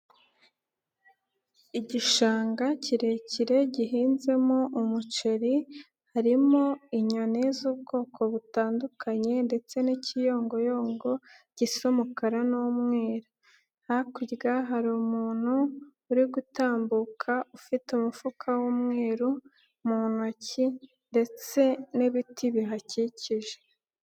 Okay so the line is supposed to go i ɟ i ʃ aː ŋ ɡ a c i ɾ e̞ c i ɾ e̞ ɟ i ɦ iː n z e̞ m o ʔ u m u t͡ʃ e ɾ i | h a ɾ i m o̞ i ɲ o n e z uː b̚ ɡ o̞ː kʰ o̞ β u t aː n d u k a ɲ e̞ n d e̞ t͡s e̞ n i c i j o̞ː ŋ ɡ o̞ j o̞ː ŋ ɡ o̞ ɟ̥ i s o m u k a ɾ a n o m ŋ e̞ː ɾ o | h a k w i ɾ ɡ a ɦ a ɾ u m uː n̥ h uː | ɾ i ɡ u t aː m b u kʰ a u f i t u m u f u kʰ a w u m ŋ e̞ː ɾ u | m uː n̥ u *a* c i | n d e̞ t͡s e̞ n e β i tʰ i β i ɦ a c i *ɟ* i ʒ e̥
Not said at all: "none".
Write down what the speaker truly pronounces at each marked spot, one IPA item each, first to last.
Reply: a, c

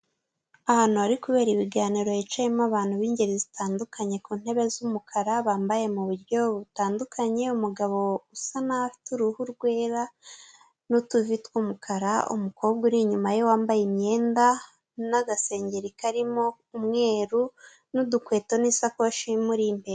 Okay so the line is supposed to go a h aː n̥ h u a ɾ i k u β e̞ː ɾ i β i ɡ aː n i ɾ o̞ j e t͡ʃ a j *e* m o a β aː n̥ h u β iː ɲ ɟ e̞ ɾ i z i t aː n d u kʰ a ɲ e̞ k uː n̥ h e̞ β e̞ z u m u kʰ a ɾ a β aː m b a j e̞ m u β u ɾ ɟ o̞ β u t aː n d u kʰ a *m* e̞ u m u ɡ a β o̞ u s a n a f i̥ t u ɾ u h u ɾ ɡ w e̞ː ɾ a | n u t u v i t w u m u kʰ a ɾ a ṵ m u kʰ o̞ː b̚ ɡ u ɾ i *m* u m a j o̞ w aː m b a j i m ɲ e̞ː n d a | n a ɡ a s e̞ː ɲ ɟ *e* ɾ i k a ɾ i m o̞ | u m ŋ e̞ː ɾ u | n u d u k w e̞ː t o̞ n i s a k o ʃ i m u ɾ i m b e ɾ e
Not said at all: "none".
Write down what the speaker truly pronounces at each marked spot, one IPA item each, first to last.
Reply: e, ɲ, ɲ, e

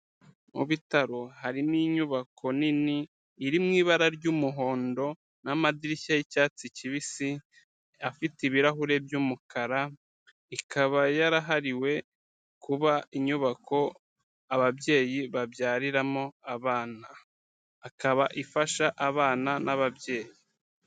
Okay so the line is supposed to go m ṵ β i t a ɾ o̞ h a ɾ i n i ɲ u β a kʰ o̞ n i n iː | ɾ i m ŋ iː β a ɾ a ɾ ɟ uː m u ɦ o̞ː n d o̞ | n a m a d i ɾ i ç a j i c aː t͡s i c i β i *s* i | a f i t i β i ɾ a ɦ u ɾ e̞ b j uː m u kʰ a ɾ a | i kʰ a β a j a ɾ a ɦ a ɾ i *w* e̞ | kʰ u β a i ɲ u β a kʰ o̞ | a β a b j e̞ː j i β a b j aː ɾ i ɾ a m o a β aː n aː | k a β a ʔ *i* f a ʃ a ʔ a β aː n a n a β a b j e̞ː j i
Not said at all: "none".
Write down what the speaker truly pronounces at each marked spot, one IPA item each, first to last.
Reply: s, w, i

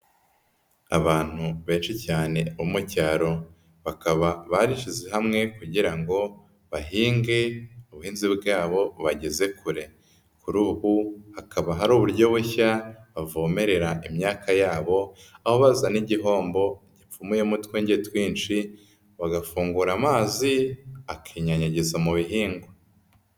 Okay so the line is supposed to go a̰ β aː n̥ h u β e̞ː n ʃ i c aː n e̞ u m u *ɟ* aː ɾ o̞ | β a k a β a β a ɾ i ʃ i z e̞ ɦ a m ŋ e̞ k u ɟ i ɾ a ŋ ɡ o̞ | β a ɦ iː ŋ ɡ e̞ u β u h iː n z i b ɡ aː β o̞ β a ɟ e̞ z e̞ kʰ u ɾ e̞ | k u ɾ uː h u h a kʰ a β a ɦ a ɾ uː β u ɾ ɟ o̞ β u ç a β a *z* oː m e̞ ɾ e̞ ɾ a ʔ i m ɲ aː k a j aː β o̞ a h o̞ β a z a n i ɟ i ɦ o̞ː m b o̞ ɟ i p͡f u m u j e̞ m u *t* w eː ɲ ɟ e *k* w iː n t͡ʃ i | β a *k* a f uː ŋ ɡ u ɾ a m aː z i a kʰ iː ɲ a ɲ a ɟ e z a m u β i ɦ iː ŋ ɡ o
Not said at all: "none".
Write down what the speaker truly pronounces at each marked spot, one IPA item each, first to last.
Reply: c, v, t, t, ɡ

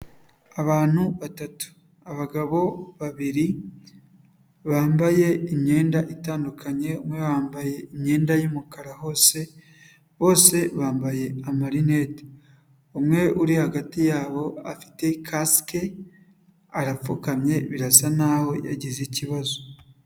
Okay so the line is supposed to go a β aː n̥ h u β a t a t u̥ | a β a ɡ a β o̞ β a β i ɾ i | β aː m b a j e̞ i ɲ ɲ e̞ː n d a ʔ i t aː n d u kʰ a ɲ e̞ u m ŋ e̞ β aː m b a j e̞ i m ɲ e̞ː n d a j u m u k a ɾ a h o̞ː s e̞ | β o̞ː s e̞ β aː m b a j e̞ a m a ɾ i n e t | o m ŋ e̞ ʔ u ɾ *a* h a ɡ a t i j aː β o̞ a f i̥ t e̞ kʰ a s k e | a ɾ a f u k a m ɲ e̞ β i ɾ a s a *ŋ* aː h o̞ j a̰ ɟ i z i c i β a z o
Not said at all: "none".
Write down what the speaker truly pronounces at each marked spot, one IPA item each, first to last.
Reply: i, n

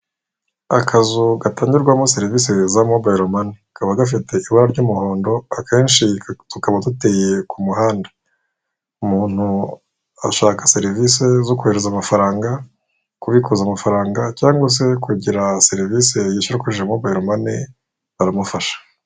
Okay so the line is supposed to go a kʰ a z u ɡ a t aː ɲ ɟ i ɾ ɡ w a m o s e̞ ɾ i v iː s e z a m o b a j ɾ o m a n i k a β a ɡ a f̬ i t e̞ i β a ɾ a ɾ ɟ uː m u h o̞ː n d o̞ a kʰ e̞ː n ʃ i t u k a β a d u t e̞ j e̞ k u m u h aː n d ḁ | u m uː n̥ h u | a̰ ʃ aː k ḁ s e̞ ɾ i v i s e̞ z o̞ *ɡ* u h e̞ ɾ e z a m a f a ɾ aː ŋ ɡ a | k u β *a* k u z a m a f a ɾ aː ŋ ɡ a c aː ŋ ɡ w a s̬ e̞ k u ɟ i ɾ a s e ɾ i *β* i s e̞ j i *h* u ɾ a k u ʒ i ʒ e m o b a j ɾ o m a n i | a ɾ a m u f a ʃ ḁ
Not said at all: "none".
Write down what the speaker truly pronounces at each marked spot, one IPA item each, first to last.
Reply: k, i, v, ʃ

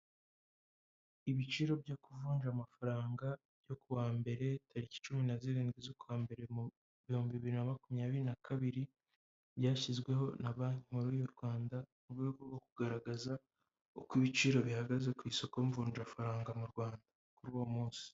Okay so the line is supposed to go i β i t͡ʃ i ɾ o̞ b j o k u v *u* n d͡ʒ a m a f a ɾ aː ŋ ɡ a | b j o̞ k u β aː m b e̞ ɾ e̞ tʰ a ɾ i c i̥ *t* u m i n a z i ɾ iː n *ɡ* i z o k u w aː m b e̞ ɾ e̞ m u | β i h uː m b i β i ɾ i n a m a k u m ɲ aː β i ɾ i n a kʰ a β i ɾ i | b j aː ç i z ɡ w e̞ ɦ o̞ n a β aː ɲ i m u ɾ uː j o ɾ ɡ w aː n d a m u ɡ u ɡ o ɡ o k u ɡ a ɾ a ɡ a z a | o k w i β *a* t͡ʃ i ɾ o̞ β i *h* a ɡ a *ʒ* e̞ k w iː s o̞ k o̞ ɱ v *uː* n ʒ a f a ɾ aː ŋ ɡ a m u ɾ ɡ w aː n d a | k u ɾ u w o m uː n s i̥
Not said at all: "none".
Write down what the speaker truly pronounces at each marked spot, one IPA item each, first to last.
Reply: uː, t͡ʃ, ɡ, i, h, z, uː

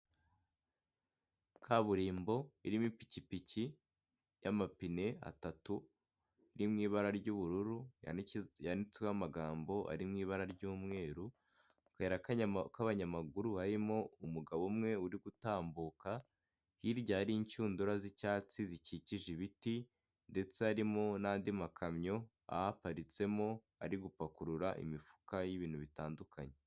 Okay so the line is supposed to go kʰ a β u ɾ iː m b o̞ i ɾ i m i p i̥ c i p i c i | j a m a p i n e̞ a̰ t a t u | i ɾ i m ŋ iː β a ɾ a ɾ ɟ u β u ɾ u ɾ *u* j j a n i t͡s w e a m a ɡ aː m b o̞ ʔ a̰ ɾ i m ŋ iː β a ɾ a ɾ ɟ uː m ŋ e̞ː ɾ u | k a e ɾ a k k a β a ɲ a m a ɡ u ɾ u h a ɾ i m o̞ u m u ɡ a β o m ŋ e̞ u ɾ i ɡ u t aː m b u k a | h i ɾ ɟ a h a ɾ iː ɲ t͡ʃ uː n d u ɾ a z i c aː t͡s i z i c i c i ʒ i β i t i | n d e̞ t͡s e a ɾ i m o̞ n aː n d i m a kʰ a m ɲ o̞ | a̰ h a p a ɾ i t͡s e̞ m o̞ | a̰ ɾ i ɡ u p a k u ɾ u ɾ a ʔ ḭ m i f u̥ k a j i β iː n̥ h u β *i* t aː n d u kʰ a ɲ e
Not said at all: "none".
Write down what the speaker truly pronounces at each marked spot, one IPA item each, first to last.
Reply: u, i

